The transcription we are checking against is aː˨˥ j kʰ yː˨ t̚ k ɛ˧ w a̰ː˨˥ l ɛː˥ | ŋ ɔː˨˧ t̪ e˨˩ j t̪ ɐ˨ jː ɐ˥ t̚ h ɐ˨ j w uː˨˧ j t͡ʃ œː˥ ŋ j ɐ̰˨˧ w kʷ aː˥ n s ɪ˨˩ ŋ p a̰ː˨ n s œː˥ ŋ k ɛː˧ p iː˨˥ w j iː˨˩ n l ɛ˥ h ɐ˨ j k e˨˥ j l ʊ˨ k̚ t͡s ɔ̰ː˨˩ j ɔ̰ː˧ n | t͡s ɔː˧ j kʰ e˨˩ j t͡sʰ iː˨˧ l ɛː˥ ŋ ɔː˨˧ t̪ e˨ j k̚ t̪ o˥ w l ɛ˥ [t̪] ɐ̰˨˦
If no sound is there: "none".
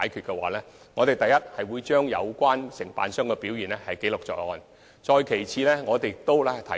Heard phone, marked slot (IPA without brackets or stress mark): t̪ʰ